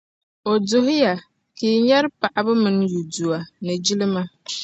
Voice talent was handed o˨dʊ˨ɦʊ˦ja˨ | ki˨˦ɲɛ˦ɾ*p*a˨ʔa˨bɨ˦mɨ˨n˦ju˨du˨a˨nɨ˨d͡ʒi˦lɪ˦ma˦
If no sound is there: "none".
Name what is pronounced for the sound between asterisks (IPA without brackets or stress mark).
p